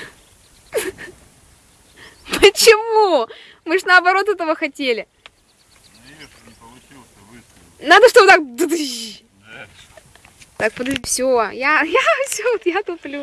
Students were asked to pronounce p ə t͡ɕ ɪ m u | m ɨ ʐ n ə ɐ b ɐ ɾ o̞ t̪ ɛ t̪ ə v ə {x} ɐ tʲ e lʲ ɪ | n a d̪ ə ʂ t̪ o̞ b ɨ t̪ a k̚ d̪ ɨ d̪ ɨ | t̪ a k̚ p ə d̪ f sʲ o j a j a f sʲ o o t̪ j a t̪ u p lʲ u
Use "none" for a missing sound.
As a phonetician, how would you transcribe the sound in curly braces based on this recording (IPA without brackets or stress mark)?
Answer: x